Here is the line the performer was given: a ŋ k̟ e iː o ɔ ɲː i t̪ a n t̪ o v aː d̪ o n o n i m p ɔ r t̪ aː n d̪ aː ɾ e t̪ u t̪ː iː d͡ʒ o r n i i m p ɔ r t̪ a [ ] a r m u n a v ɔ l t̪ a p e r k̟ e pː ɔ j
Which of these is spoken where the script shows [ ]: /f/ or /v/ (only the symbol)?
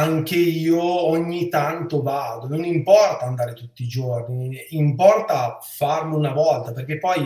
f